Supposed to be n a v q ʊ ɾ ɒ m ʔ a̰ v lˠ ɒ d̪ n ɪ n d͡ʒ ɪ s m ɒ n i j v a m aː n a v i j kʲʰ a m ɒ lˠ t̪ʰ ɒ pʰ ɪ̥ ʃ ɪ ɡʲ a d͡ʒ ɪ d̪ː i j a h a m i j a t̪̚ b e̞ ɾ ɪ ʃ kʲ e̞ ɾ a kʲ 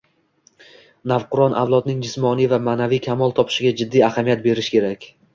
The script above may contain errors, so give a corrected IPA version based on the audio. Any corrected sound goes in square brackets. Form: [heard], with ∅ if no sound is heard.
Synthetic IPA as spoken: n a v q ʊ ɾ ɒ [n] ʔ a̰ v lˠ ɒ d̪ n ɪ [ŋ] d͡ʒ ɪ s m ɒ n i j v a m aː n a v i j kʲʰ a m ɒ lˠ t̪ʰ ɒ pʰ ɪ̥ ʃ ɪ ɡʲ a d͡ʒ ɪ d̪ː i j a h a m i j a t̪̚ b e̞ ɾ ɪ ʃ kʲ e̞ ɾ a kʲ